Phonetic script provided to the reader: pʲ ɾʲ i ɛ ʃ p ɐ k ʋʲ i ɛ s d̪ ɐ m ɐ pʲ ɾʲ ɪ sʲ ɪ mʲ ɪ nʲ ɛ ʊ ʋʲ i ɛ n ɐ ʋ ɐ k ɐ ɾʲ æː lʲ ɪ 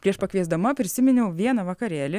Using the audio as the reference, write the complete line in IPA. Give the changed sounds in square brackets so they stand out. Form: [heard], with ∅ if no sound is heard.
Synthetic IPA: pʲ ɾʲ i ɛ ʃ p ɐ k ʋʲ i ɛ [z] d̪ ɐ m ɐ pʲ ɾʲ ɪ sʲ ɪ mʲ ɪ nʲ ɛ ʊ ʋʲ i ɛ n ɐ ʋ ɐ k ɐ ɾʲ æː lʲ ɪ